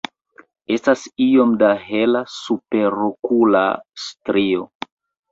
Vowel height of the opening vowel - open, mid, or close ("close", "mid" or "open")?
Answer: mid